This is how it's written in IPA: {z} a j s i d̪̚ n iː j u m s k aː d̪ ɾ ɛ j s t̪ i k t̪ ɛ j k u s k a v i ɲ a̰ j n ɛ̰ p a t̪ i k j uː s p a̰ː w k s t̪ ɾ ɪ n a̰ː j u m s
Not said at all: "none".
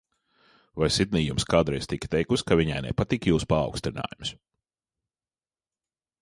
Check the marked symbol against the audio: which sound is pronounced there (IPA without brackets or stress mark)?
v